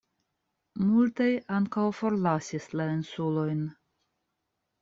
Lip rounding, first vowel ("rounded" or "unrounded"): rounded